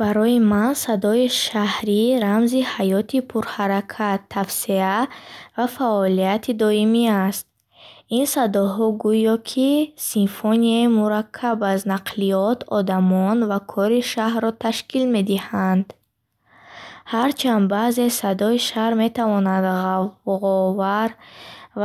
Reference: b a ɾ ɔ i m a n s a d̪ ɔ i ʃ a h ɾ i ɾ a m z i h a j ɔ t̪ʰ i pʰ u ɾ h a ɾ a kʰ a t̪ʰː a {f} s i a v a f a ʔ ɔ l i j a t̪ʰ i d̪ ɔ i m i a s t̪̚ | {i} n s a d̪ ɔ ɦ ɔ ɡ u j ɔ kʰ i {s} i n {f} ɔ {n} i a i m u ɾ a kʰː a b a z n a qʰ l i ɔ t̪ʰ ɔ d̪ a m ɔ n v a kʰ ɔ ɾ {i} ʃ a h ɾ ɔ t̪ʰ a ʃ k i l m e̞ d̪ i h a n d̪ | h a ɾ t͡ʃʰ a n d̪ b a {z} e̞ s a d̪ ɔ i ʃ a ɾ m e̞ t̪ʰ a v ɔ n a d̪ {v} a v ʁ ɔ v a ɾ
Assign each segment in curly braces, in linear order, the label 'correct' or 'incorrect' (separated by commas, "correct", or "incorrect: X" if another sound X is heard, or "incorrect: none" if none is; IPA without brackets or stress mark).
correct, correct, correct, correct, correct, correct, correct, incorrect: ʁ